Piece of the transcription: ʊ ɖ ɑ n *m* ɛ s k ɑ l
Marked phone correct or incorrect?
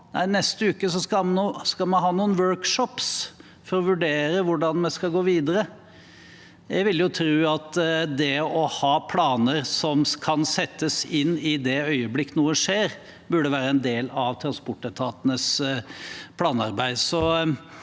correct